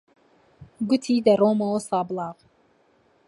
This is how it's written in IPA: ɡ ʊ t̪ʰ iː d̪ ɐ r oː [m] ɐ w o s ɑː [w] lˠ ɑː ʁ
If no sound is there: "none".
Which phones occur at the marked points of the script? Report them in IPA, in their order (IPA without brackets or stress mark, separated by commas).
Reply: m, b